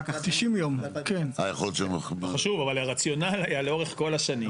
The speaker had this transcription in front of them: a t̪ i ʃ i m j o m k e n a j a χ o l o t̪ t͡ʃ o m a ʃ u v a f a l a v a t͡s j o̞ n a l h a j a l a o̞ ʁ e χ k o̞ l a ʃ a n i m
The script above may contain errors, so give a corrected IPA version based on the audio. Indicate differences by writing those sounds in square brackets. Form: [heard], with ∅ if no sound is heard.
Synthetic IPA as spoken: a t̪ i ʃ i m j o m k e n a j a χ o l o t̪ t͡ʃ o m a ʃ u v a [v] a l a [ʁ] a t͡s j o̞ n a l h a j a l [e] o̞ ʁ e χ k o̞ l a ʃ a n i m